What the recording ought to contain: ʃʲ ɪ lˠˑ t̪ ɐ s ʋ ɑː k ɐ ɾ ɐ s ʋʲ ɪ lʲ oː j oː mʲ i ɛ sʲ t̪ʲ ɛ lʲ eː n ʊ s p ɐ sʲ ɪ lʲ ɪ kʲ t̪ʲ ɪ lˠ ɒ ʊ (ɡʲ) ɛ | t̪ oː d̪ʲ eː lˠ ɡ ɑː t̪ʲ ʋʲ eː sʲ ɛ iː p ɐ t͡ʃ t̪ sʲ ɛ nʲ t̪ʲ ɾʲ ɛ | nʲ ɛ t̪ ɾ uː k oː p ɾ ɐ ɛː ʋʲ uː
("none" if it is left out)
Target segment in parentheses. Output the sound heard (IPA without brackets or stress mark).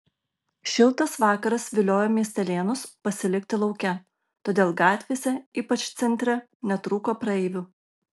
kʲ